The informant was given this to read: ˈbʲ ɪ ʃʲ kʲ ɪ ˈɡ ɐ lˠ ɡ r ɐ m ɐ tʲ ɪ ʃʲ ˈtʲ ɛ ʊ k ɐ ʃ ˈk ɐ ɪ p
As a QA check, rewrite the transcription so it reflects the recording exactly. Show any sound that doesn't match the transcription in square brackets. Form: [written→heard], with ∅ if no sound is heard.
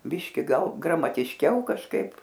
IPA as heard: ˈbʲ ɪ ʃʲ kʲ ɪ ˈɡ ɐ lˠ ɡ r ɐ m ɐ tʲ ɪ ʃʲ [ˈtʲ→ˈkʲ] ɛ ʊ k ɐ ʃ ˈk ɐ ɪ p